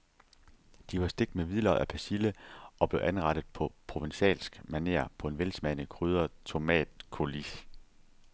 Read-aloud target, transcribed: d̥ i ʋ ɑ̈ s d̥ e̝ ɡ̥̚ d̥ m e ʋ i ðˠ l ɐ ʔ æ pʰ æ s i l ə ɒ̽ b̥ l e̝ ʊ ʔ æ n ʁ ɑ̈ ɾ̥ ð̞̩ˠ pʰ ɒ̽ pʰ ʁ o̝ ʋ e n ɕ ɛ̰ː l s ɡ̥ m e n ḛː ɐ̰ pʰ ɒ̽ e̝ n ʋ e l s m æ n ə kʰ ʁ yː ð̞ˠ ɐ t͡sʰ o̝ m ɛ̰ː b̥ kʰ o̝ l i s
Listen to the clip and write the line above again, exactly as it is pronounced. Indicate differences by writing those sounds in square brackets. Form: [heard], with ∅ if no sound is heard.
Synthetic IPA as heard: d̥ i ʋ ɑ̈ s d̥ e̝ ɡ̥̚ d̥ m e ʋ i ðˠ l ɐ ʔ æ pʰ æ s i l ə ɒ̽ b̥ l e̝ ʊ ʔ æ n ʁ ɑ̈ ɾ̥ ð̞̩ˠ pʰ ɒ̽ pʰ ʁ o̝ ʋ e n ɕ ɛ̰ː l s ɡ̥ m [æ] n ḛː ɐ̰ pʰ ɒ̽ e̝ n ʋ e l s m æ n ə kʰ ʁ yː ð̞ˠ ɐ t͡sʰ o̝ m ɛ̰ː [d̥] kʰ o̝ l i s

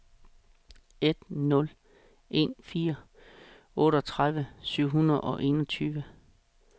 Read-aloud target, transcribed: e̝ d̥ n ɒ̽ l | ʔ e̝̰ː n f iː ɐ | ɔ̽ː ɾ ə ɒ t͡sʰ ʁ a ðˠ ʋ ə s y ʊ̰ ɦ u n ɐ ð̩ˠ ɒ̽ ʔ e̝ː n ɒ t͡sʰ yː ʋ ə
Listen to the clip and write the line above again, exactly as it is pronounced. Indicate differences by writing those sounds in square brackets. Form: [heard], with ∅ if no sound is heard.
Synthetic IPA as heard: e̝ d̥ n [ɔ̽] l | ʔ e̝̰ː n f iː ɐ | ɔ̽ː ɾ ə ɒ t͡sʰ ʁ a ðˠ ʋ ə s y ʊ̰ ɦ u n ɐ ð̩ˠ ɒ̽ ʔ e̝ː n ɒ t͡sʰ yː ʋ ə

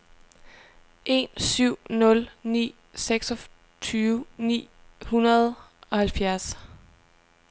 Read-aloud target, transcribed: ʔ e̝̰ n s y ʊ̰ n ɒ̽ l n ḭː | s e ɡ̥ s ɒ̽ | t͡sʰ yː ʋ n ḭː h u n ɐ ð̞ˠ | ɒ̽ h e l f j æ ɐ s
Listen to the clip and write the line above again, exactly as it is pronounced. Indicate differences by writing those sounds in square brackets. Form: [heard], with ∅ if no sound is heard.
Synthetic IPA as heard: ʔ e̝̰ n s y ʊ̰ n [ɔ̽] l n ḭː | s e ɡ̥ s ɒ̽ | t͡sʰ yː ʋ n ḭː h u n ɐ ð̞ˠ | ɒ̽ h [æ] l f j æ ɐ s

